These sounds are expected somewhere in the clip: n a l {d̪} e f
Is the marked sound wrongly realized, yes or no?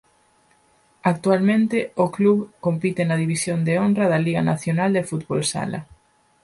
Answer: no